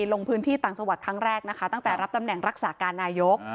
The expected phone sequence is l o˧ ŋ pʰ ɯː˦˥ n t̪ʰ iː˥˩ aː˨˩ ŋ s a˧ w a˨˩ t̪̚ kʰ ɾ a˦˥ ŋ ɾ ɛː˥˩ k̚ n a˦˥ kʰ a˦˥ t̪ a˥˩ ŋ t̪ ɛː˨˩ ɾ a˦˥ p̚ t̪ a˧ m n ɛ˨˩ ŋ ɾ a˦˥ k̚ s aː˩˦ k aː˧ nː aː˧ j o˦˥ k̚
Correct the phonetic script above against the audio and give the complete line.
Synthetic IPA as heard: l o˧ ŋ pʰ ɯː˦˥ n t̪ʰ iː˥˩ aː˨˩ ŋ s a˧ w a˨˩ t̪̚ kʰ ɾ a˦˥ ŋ ɾ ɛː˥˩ k̚ n a˦˥ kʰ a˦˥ t̪ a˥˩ ŋ t̪ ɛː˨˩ ɾ a˦˥ p̚ t̪ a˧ m n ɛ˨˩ ŋ ɾ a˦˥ k̚ s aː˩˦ k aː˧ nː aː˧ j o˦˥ k̚